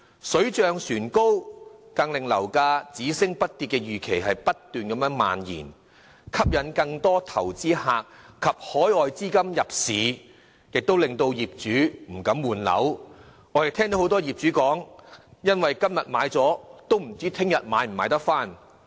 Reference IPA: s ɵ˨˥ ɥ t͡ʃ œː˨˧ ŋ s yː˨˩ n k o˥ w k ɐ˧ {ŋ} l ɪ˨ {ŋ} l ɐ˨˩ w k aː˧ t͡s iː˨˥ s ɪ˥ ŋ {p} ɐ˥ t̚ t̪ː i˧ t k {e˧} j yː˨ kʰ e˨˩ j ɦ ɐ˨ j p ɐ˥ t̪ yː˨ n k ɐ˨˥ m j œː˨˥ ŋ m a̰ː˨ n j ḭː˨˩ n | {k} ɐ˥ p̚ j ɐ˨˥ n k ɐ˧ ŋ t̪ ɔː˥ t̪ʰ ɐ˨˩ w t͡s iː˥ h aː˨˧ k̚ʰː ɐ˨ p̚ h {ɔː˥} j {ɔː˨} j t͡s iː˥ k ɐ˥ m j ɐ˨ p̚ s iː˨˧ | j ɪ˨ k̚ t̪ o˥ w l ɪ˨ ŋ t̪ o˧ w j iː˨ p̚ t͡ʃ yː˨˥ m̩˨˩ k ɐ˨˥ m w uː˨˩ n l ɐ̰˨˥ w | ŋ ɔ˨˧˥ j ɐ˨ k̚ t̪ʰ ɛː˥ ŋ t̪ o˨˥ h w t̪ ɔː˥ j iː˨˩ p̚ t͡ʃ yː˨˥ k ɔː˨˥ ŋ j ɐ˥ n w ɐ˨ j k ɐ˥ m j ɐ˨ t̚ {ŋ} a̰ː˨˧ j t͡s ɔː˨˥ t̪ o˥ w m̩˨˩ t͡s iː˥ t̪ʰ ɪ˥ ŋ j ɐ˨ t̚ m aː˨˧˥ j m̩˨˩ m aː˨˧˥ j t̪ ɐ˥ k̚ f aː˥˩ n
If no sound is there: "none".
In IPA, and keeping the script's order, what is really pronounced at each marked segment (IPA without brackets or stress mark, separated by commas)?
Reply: ŋ, ŋ, p, ɛ˧, kʰ, ɔː˨˥, ɔː˨, m